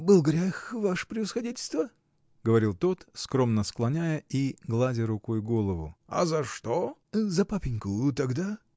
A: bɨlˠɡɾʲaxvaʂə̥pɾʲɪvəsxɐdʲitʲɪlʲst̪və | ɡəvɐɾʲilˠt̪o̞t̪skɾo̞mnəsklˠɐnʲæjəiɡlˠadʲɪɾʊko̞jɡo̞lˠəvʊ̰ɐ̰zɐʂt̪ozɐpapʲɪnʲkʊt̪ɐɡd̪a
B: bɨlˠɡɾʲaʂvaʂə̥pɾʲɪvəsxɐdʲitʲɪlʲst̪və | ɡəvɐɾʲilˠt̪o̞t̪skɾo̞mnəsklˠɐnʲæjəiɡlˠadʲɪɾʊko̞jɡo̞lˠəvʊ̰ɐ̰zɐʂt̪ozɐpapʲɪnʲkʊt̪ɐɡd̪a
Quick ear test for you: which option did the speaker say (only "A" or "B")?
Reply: A